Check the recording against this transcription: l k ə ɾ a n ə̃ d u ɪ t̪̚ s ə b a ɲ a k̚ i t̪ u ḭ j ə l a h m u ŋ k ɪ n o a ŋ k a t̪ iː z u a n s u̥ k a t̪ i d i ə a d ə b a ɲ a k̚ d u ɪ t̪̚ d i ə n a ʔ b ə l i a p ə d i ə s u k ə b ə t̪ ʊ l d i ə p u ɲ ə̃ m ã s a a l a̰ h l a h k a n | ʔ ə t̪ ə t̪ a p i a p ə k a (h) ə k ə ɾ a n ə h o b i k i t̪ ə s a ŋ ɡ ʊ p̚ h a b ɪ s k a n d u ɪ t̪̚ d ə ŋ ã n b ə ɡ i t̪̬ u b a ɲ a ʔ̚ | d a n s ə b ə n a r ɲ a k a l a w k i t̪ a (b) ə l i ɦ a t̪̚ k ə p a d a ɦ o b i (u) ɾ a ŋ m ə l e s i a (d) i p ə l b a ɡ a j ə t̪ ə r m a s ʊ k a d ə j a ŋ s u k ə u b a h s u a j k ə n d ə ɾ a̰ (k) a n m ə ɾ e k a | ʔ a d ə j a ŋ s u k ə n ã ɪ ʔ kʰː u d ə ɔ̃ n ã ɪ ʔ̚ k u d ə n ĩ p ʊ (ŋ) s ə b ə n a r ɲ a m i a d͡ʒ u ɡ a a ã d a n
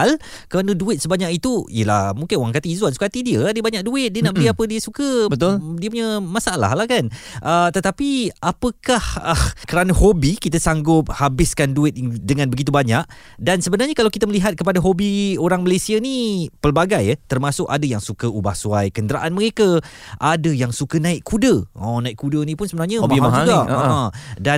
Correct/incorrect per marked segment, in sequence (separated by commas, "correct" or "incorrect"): correct, incorrect, incorrect, incorrect, incorrect, incorrect